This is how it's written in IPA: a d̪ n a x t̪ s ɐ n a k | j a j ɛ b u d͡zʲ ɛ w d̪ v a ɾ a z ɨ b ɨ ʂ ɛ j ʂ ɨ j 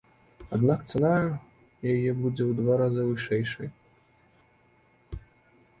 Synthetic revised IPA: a d̪ n a k t̪ s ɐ n a | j a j ɛ b u d͡zʲ ɛ w d̪ v a ɾ a z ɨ v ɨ ʂ ɛ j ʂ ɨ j

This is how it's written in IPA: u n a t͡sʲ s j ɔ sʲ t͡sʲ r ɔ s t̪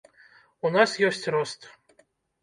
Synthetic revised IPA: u n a s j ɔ sʲ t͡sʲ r ɔ s t̪

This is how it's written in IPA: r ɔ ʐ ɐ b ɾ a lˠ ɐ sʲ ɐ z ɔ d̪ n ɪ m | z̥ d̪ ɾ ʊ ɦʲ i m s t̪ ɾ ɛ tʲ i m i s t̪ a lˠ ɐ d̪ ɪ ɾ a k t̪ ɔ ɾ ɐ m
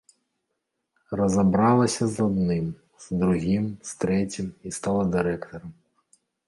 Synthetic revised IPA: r ɔ z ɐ b ɾ ɑ lˠ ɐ sʲ ɐ z ɔ d̪ n ɪ m | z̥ d̪ ɾ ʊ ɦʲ i m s t̪ ɾ ɛ tʲ i m i s t̪ ɑ lˠ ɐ d̪ ɪ ɾ ɛ k t̪ ɔ ɾ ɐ m

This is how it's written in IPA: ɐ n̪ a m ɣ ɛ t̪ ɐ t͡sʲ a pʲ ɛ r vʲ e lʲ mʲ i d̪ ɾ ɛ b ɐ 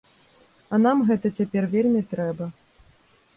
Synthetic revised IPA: ɐ n̪ a m ɣ ɛ t̪ ɐ t͡sʲ a pʲ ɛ r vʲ e lʲ mʲ i t̪ ɾ ɛ b ɐ

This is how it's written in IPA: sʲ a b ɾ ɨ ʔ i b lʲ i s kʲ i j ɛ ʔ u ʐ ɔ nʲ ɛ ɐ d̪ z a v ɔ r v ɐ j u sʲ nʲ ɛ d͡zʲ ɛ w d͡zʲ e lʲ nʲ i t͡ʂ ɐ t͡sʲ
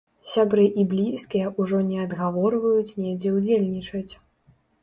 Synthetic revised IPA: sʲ a b ɾ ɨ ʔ i b lʲ i s kʲ i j ɛ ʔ u ʐ ɔ nʲ ɛ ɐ d̪ ɣ a v ɔ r v ɐ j u t͡sʲ nʲ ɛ d͡zʲ ɛ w d͡zʲ e lʲ nʲ i t͡ʂ ɐ t͡sʲ

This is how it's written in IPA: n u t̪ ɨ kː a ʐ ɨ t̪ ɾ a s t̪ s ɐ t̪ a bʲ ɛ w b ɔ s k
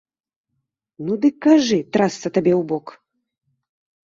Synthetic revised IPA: n u d̪ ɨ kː a ʐ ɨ t̪ ɾ a s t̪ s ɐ t̪ a bʲ ɛ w b ɔ k

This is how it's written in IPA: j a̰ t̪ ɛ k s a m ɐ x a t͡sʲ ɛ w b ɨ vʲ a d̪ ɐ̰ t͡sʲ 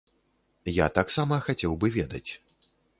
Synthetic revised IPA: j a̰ t̪ a k s a m ɐ x a t͡sʲ ɛ w b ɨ vʲ ɛ d̪ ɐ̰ t͡sʲ

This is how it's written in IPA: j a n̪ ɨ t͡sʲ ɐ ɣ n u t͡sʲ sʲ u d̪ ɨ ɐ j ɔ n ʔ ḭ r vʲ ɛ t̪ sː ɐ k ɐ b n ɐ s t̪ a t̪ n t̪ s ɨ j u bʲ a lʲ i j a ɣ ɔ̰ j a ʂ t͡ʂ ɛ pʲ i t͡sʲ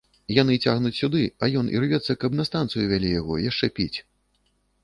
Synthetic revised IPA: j a n̪ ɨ t͡sʲ a ɣ n u t͡sʲ sʲ u d̪ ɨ ɐ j ɔ n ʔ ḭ r vʲ ɛ t̪ sː ɐ k ɐ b n ɐ s t̪ a n t̪ s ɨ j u vʲ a lʲ i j a ɣ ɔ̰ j a ʂ t͡ʂ ɛ pʲ i t͡sʲ

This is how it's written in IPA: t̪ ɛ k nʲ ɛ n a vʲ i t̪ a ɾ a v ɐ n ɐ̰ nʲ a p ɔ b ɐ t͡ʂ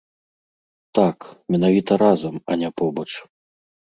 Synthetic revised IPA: t̪ a k mʲ ɛ n a vʲ i t̪ ɐ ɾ a z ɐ m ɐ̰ nʲ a p ɔ b ɐ t͡ʂ

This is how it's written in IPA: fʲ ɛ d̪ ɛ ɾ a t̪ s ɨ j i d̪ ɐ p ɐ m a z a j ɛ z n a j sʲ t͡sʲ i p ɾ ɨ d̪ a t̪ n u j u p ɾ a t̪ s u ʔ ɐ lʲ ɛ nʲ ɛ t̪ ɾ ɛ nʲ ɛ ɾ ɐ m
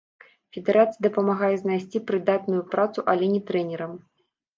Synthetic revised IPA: fʲ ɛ d̪ ɛ ɾ a t̪ s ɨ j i d̪ ɐ p ɐ m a ɣ a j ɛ z n a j sʲ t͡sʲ i p ɾ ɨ d̪ a t̪ n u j u p ɾ a t̪ s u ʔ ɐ lʲ ɛ nʲ ɛ t̪ ɾ ɛ nʲ ɛ ɾ ɐ m

